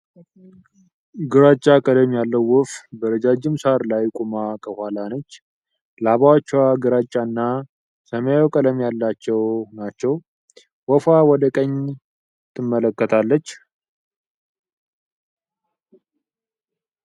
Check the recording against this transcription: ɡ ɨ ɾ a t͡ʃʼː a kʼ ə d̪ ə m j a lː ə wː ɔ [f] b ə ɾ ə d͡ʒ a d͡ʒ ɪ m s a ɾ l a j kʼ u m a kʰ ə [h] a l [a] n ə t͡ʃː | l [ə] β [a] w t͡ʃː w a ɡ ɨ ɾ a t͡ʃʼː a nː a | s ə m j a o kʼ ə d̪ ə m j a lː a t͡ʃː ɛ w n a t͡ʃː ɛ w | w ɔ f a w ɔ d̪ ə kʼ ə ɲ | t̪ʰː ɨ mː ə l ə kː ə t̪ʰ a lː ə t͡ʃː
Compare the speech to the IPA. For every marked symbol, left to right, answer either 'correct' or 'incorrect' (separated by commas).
correct, correct, correct, incorrect, correct